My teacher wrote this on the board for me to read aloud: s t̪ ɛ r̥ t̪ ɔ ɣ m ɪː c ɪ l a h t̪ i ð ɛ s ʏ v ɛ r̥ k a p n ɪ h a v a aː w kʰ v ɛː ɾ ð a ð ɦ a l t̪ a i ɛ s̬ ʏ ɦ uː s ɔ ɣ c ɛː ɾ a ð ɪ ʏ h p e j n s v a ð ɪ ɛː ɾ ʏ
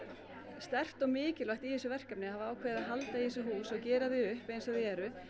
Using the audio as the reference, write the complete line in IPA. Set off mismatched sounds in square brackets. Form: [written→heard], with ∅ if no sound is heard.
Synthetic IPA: s t̪ ɛ r̥ t̪ ɔ ɣ m ɪː c ɪ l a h t̪ i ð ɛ s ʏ v ɛ r̥ k a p n ɪ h a v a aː w kʰ v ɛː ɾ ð a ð ɦ a l t̪ a i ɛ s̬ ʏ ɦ uː s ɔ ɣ c ɛː ɾ a ð ɪ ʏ h p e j n s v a ð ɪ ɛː ɾ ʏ